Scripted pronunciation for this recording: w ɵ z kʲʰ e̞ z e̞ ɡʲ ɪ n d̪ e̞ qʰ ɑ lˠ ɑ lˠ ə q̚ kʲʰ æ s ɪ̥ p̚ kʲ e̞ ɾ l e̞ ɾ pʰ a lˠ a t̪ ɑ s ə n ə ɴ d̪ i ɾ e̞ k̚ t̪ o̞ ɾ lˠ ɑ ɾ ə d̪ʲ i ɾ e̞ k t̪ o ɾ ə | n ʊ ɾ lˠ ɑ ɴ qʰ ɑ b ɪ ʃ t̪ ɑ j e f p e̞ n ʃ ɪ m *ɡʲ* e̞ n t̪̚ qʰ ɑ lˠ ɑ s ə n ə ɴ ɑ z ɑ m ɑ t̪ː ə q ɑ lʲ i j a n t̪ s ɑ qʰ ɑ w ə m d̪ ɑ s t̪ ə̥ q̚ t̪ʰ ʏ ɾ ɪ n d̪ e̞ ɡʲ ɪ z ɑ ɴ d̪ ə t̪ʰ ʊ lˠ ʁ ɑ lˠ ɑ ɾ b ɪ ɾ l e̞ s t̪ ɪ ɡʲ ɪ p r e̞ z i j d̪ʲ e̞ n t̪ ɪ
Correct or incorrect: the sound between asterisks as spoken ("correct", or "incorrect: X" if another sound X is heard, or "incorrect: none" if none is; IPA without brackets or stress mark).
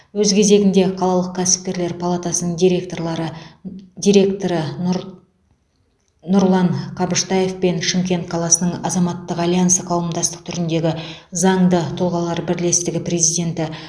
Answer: incorrect: kʲ